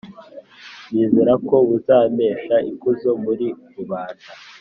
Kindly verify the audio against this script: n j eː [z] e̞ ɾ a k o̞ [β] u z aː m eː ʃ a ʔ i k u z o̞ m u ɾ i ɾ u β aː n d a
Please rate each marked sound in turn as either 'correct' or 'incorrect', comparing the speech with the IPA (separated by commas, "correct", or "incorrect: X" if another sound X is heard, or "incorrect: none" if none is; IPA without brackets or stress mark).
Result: correct, correct